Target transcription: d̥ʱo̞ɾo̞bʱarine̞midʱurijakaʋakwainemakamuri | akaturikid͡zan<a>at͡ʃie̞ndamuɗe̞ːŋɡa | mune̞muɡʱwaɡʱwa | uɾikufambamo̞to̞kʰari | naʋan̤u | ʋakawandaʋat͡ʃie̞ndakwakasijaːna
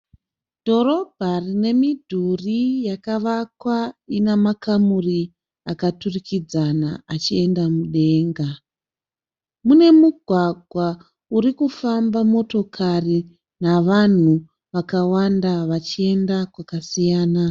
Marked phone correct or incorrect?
correct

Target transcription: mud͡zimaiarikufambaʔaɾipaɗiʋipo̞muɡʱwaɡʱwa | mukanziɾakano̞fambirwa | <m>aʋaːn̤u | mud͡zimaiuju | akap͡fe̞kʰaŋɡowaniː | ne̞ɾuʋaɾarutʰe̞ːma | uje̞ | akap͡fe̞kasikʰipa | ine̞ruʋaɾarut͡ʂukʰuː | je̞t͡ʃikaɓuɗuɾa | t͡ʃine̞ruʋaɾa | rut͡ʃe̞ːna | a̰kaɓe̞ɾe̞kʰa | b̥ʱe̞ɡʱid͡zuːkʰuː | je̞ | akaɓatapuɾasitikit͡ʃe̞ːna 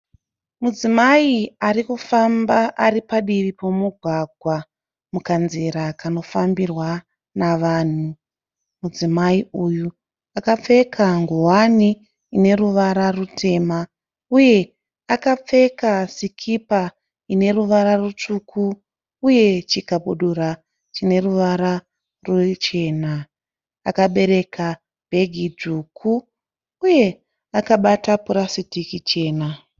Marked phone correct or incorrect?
incorrect: n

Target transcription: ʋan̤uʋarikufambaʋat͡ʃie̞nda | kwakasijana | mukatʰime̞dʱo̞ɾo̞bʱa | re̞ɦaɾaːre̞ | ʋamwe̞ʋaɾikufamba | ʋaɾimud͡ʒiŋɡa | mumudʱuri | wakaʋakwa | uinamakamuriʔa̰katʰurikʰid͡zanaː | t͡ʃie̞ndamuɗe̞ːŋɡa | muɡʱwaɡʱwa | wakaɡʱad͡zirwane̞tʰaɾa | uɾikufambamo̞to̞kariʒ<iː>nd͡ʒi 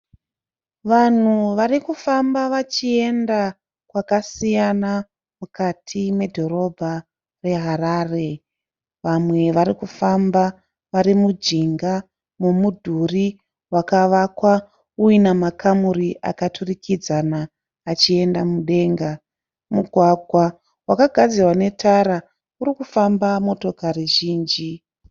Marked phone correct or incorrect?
correct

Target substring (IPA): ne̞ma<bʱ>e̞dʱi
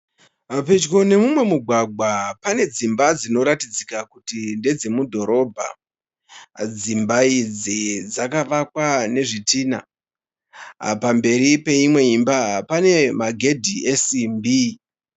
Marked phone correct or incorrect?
incorrect: ɡʱ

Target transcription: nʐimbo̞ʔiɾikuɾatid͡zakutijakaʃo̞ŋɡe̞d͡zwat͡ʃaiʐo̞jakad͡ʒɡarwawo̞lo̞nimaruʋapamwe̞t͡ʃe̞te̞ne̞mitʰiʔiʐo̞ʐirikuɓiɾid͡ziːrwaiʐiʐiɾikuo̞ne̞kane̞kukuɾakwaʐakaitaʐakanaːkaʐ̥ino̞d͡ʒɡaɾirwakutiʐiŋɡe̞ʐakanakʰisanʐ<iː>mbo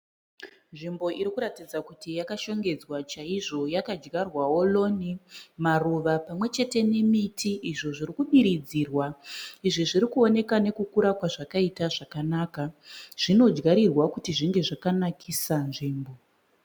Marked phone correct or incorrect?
correct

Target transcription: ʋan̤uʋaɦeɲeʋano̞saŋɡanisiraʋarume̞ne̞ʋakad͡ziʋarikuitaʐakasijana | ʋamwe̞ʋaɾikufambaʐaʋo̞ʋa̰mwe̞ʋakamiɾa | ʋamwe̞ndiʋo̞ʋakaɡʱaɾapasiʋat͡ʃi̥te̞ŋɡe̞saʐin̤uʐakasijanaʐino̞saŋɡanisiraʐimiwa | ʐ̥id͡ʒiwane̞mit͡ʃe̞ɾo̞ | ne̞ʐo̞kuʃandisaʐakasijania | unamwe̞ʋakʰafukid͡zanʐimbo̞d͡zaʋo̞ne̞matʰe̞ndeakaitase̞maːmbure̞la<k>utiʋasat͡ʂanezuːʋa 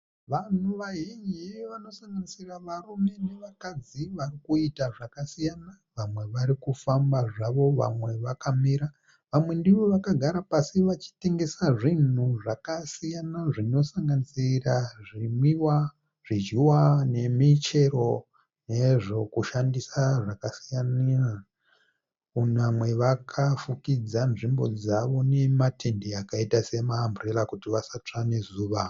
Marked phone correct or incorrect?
correct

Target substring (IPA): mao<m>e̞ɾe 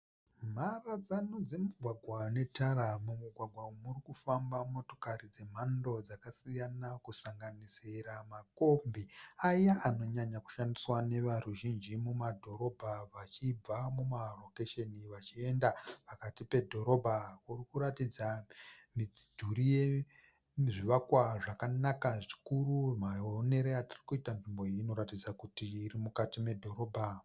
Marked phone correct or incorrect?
incorrect: n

